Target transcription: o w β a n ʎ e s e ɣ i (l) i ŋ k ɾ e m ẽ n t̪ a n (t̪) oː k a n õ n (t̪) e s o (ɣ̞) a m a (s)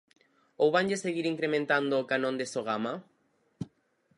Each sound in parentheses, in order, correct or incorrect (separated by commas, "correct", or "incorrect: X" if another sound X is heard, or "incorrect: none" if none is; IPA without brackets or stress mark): incorrect: ɾ, incorrect: d̪, incorrect: d̪, correct, incorrect: none